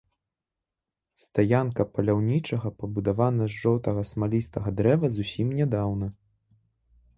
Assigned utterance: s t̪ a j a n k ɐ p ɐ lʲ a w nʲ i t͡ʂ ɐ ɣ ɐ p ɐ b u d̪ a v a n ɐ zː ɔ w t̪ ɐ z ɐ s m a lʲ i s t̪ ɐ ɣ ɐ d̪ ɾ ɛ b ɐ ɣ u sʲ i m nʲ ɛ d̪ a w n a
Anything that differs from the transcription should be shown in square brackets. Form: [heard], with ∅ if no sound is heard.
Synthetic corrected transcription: s t̪ a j a n k ɐ p ɐ lʲ a w nʲ i t͡ʂ ɐ ɣ ɐ p ɐ b u d̪ a v a n ɐ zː ɔ w t̪ ɐ [ɣ] ɐ s m a lʲ i s t̪ ɐ ɣ ɐ d̪ ɾ ɛ [v] ɐ [z] u sʲ i m nʲ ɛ d̪ a w n [ɐ]

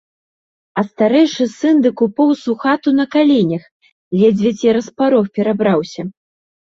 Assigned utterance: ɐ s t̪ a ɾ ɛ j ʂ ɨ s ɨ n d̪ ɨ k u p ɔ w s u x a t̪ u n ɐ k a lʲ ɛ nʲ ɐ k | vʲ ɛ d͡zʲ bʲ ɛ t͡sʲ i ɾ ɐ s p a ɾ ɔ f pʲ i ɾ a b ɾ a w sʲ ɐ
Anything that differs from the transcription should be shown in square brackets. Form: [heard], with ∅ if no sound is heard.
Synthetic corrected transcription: ɐ s t̪ a ɾ ɛ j ʂ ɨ s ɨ n d̪ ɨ k u p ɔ w s u x a t̪ u n ɐ k a lʲ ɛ nʲ ɐ [x] | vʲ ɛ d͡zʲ [vʲ] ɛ t͡sʲ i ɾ ɐ s p a ɾ ɔ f pʲ [ɛ] ɾ a b ɾ a w sʲ ɐ

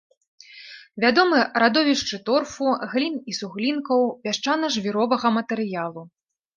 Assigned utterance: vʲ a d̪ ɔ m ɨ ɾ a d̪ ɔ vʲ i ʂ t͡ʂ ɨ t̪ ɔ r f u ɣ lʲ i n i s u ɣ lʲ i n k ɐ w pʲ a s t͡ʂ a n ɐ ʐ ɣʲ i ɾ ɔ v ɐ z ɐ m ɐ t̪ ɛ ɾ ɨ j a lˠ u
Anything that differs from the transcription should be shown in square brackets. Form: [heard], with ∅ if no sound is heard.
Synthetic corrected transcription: vʲ a d̪ ɔ m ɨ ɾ a d̪ ɔ vʲ i ʂ t͡ʂ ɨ t̪ ɔ r f u ɣ lʲ i n i s u ɣ lʲ i n k ɐ w pʲ a [ʂ] t͡ʂ a n ɐ ʐ [vʲ] i ɾ ɔ v ɐ [ɣ] ɐ m ɐ t̪ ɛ ɾ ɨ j a lˠ u

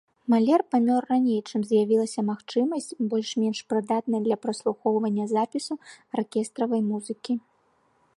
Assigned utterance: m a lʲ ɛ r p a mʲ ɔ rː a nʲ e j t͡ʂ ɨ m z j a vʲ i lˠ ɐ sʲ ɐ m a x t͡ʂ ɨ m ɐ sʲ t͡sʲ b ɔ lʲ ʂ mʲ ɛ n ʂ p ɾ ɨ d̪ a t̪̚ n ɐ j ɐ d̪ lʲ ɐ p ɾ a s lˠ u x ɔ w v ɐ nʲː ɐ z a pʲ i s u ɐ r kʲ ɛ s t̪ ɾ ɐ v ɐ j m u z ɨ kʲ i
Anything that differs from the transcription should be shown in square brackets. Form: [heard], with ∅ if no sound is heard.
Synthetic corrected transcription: m a lʲ ɛ r p a mʲ ɔ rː a nʲ e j t͡ʂ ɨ m z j a vʲ i lˠ ɐ sʲ ɐ m a x t͡ʂ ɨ m ɐ sʲ t͡sʲ b ɔ lʲ ʂ mʲ ɛ n ʂ p ɾ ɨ d̪ a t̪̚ n ɐ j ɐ d̪ lʲ ɐ p ɾ [ɐ] s lˠ u x ɔ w v ɐ nʲː ɐ z a pʲ i s u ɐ r kʲ ɛ s t̪ ɾ ɐ v ɐ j m u z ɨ kʲ i

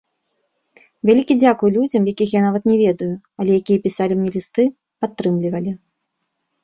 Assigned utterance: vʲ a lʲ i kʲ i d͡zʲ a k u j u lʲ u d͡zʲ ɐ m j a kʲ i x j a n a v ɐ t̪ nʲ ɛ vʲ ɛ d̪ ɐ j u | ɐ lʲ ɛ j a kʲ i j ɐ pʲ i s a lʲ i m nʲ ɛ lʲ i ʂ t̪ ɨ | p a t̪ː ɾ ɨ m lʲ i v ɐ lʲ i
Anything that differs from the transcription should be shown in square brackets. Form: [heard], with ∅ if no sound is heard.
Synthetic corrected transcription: vʲ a lʲ i kʲ i d͡zʲ a k u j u lʲ u d͡zʲ ɐ m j a kʲ i x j a n a v ɐ t̪ nʲ ɛ vʲ ɛ d̪ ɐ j u | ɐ lʲ ɛ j a kʲ i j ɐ pʲ i s a lʲ i m nʲ ɛ lʲ i [s] t̪ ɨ | p a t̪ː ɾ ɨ m lʲ i v ɐ lʲ i

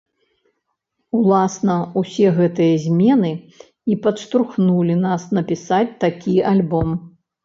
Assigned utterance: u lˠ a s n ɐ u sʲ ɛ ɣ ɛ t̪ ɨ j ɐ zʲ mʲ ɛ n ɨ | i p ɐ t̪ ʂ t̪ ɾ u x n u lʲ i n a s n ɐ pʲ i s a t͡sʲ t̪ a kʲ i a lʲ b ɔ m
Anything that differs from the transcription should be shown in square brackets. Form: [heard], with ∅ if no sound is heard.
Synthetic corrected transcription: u lˠ a s n ɐ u sʲ ɛ ɣ ɛ t̪ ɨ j ɐ zʲ mʲ ɛ n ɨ | i p ɐ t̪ ʂ t̪ ɾ u x n u lʲ i n a s n ɐ pʲ i s a t͡sʲ t̪ a kʲ i a lʲ b ɔ m

